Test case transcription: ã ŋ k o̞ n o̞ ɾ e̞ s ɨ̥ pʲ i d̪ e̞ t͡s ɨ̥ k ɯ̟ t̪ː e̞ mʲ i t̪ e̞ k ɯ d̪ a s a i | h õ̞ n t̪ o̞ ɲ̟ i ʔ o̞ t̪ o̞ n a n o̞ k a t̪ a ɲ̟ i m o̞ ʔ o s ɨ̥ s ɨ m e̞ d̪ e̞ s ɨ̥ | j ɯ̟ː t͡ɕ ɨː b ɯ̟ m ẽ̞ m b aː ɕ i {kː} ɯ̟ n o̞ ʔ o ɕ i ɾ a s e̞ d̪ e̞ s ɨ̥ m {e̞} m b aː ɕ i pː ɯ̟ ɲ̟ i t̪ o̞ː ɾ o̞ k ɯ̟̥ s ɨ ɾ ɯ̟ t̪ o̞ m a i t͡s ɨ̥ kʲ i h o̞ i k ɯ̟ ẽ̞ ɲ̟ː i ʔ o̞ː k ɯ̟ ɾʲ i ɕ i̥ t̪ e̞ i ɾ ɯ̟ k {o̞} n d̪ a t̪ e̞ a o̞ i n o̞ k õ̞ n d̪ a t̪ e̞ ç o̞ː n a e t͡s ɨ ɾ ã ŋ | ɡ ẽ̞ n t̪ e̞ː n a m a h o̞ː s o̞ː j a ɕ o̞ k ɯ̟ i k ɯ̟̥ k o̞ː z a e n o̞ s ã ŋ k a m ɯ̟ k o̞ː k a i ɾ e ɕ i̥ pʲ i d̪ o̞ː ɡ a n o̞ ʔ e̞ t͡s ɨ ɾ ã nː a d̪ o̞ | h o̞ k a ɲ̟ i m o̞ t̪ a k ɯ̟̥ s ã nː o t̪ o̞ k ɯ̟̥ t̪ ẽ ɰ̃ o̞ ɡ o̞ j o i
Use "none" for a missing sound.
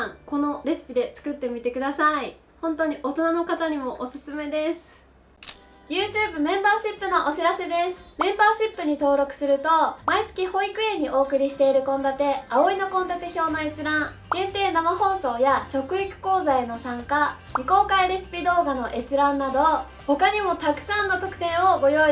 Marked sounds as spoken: pː, ẽ̞, õ̞

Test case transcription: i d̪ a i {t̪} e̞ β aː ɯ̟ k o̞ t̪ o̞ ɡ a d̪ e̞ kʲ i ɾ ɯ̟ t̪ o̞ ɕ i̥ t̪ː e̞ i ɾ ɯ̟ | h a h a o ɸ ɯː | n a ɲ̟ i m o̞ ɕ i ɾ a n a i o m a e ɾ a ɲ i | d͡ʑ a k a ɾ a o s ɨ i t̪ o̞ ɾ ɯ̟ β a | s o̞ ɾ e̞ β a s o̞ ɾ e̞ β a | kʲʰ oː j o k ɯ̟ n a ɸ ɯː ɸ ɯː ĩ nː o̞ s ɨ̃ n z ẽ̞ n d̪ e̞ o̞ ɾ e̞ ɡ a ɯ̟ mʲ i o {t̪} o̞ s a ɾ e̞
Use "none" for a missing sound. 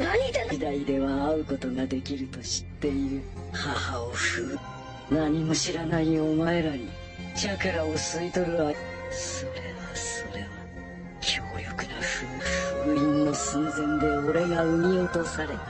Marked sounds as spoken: d̪, t̪

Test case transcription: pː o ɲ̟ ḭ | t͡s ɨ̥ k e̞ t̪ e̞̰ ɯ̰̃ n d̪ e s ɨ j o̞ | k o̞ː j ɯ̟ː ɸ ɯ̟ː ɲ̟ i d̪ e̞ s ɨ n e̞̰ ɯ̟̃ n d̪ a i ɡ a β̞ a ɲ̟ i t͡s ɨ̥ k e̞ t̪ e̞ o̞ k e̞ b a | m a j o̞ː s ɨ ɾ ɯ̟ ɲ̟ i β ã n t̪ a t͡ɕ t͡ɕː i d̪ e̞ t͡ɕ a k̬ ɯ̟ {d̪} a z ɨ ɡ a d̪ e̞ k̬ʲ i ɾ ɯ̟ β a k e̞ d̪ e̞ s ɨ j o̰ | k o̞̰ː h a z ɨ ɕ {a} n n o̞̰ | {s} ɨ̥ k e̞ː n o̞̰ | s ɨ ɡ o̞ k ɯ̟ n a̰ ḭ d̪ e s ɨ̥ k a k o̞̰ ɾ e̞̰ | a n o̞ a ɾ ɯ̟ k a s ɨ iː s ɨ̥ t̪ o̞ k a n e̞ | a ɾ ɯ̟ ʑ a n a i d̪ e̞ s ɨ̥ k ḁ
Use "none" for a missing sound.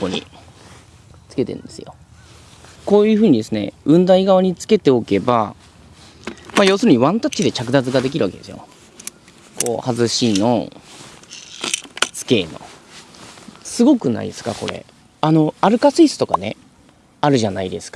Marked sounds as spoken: d̪, i, s

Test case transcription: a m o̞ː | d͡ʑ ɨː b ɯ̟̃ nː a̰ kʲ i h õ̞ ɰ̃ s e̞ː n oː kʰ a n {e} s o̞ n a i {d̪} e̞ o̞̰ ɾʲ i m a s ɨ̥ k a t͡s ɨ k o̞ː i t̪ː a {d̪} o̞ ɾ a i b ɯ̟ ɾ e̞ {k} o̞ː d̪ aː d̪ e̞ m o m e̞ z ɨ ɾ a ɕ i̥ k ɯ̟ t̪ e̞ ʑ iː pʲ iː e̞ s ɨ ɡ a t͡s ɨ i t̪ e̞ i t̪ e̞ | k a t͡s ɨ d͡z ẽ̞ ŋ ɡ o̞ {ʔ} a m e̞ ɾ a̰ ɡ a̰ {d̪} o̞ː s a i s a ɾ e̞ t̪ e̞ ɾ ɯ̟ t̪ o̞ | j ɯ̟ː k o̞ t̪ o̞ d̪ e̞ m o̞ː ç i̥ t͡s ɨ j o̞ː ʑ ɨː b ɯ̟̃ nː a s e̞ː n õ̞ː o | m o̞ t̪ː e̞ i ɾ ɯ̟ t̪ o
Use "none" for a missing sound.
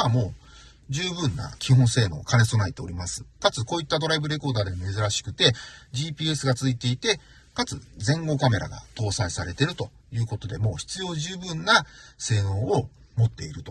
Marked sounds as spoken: e, t̪, d̪, k, k, t̪

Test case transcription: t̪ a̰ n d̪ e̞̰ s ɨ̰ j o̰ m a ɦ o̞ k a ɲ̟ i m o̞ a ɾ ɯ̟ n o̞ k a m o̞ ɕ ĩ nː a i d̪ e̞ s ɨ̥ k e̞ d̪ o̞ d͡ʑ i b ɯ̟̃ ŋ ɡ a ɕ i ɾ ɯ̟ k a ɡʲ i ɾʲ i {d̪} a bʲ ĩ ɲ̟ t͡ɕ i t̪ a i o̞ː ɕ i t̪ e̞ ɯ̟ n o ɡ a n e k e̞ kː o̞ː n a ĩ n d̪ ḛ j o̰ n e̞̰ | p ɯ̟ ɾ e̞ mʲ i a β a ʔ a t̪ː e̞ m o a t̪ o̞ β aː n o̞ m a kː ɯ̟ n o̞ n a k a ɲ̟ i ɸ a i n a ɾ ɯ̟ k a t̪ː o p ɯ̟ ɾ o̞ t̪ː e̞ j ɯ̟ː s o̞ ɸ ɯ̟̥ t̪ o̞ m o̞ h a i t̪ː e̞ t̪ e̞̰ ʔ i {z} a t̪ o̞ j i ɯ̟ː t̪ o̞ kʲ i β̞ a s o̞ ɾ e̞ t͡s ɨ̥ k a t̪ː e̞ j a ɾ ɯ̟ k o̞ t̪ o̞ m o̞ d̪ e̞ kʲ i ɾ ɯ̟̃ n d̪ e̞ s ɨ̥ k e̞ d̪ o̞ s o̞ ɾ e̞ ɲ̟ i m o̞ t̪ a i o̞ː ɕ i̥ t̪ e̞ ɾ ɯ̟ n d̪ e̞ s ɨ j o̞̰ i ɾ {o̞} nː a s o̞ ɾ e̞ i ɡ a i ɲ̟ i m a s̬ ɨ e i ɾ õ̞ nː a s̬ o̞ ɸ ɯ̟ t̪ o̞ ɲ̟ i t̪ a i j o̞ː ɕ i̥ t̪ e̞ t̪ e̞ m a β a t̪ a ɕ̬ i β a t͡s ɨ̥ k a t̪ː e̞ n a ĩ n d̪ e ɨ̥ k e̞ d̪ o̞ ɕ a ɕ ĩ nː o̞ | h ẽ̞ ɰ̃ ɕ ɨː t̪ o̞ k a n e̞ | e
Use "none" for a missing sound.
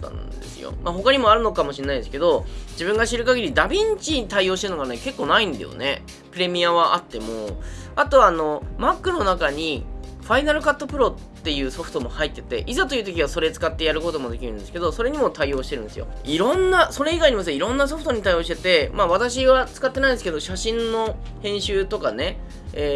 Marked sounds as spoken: d̪, z, õ̞

